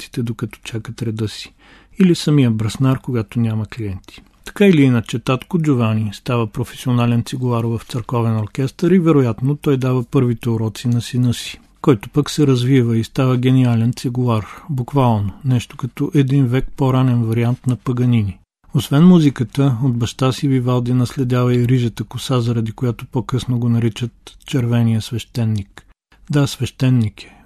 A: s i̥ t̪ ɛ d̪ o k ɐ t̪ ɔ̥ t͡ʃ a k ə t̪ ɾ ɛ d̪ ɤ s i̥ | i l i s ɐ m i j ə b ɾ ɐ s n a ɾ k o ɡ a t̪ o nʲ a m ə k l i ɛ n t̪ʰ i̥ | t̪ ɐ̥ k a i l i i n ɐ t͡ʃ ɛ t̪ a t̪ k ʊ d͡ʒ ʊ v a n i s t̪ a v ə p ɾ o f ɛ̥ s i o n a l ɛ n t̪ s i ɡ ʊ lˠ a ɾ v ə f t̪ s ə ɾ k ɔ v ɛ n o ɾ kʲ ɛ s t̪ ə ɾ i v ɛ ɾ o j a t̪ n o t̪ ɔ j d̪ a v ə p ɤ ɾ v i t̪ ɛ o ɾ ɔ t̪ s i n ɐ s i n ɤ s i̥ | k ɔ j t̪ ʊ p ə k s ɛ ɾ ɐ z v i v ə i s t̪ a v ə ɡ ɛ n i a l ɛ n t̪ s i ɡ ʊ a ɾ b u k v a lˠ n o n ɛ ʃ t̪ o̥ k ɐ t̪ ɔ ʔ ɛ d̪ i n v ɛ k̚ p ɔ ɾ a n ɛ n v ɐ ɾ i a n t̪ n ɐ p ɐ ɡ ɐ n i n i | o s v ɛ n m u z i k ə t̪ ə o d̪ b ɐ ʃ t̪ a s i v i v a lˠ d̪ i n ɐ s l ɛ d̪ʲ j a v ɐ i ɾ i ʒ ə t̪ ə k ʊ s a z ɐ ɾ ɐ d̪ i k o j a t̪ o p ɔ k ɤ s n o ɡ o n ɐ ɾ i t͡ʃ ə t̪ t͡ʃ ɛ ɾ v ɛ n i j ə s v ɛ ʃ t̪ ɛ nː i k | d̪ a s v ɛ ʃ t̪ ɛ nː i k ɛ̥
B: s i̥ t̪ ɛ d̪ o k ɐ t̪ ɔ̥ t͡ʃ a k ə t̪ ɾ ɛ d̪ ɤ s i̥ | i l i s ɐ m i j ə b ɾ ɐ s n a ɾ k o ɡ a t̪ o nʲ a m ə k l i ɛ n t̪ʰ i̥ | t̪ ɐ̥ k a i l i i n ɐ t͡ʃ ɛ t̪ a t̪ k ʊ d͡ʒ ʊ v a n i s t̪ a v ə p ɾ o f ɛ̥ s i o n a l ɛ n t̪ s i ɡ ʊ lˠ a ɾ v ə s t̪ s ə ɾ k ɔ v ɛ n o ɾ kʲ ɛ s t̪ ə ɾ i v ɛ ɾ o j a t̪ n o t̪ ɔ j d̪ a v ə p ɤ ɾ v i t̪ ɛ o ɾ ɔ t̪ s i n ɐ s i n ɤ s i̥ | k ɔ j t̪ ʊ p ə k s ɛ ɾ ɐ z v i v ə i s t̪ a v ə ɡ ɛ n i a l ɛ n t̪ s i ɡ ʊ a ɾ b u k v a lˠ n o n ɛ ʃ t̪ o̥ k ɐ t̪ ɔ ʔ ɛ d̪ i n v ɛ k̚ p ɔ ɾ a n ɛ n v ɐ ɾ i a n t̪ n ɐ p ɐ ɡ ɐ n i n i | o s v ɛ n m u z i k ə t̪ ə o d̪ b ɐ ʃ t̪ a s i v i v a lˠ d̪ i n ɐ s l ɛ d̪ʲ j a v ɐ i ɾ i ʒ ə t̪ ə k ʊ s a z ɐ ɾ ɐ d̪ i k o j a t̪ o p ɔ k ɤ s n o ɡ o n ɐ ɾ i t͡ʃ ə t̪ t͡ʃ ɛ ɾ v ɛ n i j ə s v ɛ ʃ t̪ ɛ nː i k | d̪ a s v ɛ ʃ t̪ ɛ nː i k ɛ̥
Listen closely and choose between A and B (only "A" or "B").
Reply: A